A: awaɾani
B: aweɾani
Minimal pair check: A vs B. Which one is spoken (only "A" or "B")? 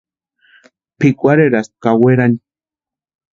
B